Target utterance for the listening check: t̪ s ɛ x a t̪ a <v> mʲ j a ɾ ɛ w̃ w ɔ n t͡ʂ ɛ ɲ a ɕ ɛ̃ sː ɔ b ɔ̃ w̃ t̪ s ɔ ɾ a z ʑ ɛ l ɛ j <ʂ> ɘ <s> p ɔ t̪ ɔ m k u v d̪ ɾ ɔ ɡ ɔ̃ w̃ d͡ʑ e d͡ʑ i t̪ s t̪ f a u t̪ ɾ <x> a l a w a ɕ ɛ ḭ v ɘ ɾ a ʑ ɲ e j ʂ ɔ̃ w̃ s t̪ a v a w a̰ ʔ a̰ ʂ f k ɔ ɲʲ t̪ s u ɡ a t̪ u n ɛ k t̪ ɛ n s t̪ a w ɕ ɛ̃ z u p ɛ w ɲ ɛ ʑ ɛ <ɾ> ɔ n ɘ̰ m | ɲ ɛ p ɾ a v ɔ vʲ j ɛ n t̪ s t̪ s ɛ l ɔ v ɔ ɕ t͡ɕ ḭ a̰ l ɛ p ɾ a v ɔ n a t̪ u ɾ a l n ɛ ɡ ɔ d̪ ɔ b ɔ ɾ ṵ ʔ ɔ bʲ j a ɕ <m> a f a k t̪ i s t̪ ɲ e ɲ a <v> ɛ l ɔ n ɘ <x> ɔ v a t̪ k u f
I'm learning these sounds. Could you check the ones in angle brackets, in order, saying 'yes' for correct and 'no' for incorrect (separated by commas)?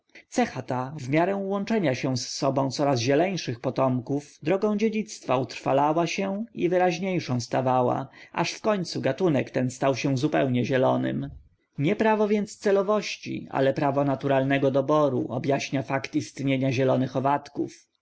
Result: yes, yes, no, no, no, no, no, yes